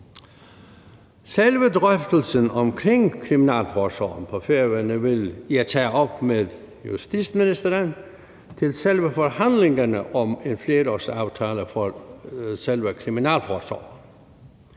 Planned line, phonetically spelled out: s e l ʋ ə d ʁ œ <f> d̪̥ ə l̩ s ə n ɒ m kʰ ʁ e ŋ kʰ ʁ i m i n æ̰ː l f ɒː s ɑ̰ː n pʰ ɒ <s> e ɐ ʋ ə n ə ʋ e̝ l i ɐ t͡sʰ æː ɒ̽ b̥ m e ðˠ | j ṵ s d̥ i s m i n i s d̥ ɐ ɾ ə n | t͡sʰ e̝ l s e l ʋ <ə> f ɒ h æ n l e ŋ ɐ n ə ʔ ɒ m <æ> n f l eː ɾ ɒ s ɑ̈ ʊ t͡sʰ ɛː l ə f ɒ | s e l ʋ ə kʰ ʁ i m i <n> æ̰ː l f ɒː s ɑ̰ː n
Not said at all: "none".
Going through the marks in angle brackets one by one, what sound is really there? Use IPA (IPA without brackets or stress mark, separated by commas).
f, f, ə, e, n